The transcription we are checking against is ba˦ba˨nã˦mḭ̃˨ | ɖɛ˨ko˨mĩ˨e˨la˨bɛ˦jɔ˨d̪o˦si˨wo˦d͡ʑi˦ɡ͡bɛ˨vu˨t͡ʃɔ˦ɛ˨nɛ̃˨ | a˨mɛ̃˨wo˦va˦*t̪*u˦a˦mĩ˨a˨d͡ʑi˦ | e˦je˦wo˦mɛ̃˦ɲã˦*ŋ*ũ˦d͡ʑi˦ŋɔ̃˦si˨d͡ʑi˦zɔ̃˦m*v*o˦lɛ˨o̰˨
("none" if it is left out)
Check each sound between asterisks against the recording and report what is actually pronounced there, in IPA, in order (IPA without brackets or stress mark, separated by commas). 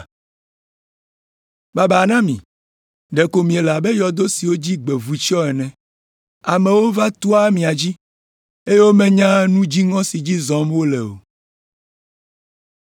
t̪, n, w